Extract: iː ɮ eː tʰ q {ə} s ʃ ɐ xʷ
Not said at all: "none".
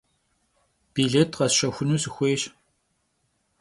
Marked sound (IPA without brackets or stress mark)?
ɐ